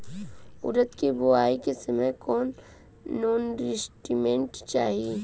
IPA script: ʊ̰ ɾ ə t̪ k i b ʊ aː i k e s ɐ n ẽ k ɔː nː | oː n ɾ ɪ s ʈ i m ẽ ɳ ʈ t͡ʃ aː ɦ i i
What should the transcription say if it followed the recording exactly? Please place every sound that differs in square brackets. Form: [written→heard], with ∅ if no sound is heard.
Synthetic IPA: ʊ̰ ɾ ə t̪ k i b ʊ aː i k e s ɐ [n→m] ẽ k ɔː nː | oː n ɾ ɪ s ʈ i m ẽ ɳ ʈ t͡ʃ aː ɦ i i